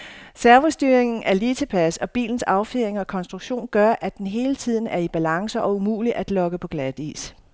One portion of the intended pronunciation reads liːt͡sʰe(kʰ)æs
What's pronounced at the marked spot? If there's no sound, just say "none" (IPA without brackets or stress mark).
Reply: pʰ